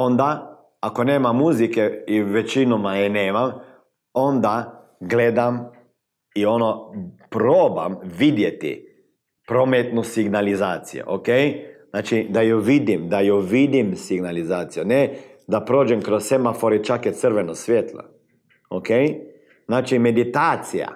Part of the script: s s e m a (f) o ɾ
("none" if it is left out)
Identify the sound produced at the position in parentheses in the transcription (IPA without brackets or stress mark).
f